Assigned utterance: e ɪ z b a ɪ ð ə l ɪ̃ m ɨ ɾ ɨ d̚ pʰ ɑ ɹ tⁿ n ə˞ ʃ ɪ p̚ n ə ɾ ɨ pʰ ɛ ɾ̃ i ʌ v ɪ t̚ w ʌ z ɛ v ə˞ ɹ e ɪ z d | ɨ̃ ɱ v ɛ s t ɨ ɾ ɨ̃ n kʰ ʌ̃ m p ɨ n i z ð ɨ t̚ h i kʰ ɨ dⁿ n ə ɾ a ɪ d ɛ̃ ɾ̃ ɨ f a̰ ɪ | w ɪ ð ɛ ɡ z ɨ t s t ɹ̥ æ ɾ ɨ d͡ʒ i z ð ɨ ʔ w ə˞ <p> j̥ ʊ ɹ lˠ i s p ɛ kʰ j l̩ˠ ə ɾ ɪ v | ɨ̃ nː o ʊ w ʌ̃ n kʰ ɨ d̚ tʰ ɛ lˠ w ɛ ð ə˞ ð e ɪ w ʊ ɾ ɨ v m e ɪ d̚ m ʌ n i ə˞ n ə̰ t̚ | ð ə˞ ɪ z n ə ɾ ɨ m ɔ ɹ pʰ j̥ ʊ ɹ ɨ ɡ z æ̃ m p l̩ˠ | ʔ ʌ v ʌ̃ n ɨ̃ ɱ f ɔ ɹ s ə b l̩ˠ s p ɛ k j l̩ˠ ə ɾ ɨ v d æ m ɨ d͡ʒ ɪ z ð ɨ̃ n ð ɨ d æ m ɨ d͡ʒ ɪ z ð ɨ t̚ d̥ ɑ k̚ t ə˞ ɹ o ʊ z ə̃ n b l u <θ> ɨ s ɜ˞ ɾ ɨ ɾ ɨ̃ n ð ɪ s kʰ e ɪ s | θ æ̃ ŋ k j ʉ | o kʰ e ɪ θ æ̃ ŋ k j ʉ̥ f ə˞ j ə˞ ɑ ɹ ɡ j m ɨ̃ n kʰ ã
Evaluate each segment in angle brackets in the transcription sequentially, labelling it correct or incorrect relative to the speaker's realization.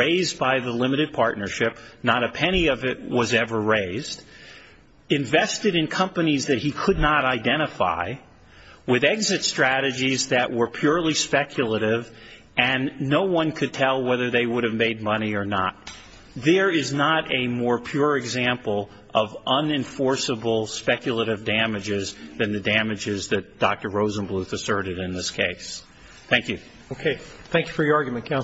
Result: incorrect: pʰ, correct

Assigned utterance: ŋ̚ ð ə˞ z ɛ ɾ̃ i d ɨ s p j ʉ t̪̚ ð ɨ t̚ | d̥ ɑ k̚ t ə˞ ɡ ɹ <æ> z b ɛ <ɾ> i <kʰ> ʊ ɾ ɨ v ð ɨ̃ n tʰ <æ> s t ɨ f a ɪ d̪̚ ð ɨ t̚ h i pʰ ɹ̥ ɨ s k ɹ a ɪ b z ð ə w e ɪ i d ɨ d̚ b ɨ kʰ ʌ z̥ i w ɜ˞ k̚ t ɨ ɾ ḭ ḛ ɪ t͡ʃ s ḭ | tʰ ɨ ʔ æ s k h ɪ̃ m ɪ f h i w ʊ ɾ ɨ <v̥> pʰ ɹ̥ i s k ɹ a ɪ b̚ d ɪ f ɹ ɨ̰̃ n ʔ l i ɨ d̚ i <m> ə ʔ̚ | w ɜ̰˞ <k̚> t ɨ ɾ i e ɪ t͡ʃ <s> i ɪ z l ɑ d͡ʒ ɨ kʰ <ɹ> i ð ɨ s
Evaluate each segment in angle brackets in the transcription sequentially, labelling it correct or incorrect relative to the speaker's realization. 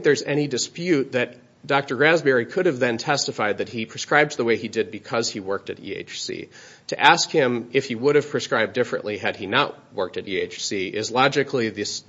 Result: correct, incorrect: ɹ, correct, incorrect: ɛ, correct, incorrect: n, correct, correct, incorrect: l

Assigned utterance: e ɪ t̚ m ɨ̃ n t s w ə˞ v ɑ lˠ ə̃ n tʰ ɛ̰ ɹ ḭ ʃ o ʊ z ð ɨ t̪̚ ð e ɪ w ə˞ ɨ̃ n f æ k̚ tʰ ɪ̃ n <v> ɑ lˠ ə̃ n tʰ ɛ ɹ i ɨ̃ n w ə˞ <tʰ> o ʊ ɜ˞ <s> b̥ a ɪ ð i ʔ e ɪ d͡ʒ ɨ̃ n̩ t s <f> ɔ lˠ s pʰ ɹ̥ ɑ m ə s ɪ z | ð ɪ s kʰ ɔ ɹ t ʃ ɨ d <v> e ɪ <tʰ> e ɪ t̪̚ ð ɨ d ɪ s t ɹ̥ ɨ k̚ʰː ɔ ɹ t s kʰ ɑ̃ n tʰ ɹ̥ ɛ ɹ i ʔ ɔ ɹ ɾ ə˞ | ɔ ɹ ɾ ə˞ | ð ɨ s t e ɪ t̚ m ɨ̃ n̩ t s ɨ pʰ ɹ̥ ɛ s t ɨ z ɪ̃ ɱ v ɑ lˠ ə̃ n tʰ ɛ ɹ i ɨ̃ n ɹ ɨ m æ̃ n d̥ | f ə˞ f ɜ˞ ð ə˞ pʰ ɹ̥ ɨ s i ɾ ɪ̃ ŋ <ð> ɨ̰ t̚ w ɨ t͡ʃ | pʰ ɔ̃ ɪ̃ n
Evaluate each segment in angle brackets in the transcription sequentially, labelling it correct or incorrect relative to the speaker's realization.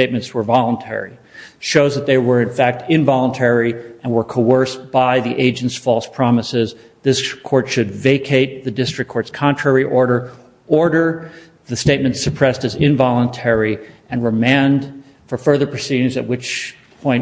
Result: correct, incorrect: kʰ, correct, correct, correct, incorrect: kʰ, incorrect: z

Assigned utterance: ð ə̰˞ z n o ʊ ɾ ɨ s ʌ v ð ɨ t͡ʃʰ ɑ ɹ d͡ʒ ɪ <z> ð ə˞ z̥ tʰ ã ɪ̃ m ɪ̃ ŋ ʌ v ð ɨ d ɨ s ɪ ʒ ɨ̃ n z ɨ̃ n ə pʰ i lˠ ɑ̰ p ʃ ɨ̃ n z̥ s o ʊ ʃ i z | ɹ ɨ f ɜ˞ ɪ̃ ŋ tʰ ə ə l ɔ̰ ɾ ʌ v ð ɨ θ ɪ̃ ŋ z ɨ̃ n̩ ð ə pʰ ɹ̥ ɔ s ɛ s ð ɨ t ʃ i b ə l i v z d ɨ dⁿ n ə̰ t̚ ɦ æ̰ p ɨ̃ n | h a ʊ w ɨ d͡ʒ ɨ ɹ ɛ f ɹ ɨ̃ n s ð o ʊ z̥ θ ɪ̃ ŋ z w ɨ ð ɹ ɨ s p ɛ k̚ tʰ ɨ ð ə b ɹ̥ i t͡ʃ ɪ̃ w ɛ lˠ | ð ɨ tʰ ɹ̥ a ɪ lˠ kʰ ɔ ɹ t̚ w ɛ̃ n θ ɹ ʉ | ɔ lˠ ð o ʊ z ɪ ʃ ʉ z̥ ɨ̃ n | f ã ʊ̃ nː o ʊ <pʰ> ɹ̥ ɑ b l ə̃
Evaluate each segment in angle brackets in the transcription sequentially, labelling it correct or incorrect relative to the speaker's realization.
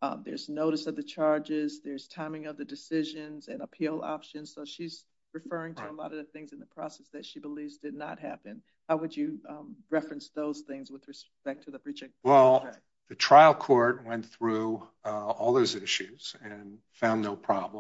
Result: correct, correct

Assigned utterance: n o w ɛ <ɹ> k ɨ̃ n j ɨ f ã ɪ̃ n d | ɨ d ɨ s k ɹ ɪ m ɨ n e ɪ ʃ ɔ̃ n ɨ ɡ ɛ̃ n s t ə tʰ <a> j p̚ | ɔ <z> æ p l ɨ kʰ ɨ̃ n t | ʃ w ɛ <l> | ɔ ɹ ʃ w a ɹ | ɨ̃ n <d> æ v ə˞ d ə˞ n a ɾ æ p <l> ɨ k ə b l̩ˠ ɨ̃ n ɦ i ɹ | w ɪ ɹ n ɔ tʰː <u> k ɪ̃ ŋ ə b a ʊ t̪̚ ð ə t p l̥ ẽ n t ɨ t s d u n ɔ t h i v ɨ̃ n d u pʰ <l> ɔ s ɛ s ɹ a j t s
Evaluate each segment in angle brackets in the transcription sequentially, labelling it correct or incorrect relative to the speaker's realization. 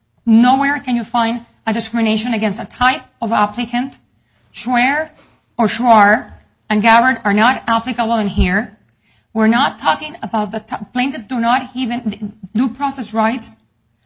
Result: correct, correct, incorrect: v, incorrect: ɹ, incorrect: ɡ, correct, incorrect: ɔ, incorrect: ɹ

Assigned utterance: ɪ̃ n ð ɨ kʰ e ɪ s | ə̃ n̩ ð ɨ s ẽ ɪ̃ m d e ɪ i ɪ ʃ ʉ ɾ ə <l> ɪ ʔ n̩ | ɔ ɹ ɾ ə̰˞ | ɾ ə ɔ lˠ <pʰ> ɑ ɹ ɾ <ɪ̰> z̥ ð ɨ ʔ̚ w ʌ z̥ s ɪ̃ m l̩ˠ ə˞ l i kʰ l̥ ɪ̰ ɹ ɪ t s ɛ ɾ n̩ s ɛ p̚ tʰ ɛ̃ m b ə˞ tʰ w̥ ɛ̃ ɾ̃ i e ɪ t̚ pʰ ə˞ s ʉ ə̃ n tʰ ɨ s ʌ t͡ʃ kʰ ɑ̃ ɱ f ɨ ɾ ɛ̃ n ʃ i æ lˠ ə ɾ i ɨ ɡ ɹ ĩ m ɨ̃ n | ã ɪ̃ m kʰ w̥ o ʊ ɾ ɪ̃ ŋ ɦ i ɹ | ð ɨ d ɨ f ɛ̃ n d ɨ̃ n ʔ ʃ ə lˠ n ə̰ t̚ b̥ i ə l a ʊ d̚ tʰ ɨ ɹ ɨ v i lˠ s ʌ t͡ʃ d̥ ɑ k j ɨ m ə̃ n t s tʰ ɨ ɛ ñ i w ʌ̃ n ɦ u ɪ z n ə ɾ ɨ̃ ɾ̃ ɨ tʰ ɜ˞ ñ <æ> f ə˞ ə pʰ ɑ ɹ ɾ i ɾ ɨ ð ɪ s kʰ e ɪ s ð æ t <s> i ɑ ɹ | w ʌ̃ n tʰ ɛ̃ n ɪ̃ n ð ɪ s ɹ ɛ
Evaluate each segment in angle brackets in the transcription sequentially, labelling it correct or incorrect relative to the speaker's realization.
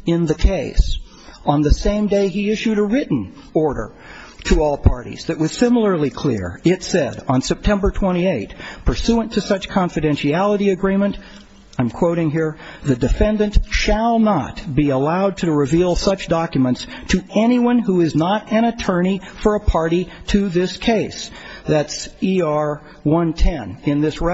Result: incorrect: ɹ, correct, incorrect: ḭ, incorrect: i, correct

